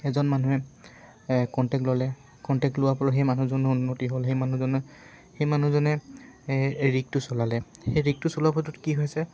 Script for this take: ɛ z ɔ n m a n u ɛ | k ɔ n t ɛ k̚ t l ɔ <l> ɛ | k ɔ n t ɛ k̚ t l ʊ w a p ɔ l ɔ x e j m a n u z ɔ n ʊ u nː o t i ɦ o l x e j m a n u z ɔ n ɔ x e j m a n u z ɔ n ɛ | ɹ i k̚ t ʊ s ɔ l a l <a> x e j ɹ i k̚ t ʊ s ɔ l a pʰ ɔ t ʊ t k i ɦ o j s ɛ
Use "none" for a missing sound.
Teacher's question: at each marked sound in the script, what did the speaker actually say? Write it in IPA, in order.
l, ɛ

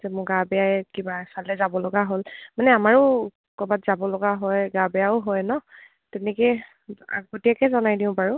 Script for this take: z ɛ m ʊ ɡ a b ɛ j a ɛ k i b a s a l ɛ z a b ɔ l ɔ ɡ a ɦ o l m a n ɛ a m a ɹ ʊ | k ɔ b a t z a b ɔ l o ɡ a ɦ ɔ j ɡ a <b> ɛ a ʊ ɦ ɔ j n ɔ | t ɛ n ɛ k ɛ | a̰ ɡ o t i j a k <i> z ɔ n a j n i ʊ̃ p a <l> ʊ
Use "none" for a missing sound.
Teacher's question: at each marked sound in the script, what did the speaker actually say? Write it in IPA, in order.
b, ɛ, ɹ

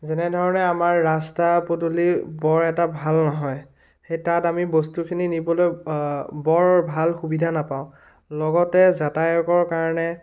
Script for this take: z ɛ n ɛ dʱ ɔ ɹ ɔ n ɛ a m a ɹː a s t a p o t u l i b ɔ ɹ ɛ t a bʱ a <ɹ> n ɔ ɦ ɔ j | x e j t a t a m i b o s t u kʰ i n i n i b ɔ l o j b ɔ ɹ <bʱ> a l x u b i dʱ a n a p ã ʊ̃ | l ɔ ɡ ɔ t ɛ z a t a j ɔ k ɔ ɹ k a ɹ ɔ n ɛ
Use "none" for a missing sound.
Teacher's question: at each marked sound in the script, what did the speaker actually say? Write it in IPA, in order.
l, bʱ

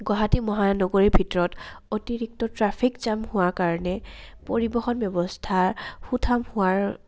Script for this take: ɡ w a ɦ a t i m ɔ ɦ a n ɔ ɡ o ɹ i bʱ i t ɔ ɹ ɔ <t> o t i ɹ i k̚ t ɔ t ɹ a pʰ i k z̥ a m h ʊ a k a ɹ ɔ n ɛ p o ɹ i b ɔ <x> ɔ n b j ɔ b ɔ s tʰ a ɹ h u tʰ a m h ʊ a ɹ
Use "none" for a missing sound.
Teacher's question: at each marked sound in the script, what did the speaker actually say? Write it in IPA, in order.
t, x

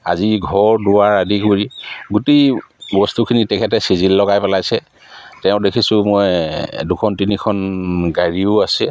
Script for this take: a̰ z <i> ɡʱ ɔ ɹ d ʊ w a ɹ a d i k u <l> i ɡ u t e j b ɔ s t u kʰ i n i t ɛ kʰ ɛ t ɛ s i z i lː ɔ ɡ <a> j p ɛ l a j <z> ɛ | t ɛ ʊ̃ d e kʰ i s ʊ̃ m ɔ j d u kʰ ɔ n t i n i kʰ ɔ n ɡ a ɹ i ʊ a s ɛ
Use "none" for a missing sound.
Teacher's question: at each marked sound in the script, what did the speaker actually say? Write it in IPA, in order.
i, ɹ, a, s

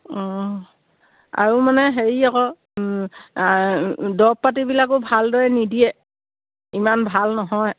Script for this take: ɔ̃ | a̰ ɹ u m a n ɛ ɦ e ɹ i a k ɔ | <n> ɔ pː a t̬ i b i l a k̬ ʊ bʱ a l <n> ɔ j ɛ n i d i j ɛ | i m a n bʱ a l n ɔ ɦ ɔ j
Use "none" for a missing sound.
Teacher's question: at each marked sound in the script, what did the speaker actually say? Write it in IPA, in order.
d, d

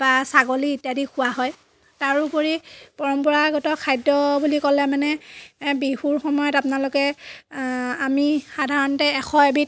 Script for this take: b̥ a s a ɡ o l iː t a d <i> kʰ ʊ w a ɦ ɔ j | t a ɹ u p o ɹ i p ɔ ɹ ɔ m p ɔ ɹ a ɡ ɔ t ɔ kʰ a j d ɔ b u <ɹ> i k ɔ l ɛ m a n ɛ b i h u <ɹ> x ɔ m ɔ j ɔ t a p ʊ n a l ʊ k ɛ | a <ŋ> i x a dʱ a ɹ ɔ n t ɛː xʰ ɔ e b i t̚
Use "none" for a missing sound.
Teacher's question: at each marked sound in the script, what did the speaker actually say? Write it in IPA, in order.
i, l, ɹ, m

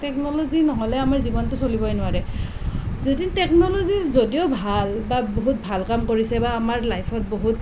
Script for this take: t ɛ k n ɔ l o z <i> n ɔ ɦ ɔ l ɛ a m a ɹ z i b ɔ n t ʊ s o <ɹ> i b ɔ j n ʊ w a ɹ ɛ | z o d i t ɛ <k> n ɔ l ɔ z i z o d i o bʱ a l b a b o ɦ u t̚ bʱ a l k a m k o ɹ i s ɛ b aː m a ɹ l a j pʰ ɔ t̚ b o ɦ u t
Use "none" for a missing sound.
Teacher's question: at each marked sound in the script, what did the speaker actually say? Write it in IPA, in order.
i, l, k

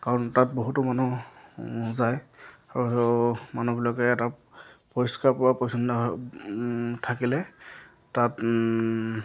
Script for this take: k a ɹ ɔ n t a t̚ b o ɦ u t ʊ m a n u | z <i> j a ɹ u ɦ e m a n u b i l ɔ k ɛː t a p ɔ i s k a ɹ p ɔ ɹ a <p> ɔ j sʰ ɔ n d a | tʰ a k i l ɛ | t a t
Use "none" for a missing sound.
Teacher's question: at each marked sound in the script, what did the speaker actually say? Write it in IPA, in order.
a, p

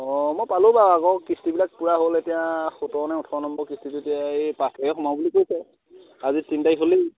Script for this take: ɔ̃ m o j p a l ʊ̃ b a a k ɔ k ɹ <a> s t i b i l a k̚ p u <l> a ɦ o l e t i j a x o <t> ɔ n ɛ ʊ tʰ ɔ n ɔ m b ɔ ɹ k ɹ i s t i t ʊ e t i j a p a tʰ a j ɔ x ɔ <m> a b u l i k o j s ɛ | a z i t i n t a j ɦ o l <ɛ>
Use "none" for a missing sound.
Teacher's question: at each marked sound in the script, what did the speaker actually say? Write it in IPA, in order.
i, ɹ, t, m, i

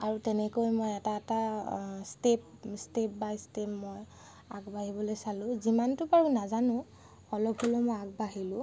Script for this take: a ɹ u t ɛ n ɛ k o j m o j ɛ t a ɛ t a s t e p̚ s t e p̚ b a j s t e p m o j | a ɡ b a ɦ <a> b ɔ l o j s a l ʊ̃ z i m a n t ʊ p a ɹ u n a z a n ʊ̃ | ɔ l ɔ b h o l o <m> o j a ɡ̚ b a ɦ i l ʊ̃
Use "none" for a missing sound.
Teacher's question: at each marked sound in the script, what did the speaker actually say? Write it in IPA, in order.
i, m

